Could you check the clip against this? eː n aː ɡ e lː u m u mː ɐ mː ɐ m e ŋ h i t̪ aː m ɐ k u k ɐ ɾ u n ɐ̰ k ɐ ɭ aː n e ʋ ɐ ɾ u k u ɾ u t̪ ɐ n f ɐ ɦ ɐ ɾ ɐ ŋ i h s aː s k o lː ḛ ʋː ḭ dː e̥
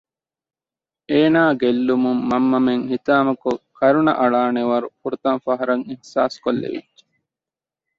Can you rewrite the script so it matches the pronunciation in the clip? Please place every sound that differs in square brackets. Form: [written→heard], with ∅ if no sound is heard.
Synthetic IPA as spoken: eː n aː ɡ e lː u m u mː ɐ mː ɐ m e ŋ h i t̪ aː m ɐ k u k ɐ ɾ u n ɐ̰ [k→ʔ] ɐ ɭ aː n e ʋ ɐ ɾ u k u ɾ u t̪ ɐ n f ɐ ɦ ɐ ɾ ɐ ŋ i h s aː s k o lː ḛ [ʋː→ʋ] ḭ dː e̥